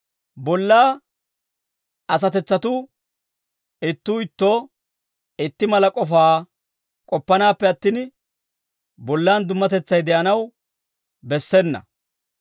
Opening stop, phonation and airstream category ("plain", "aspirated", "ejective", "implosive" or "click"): plain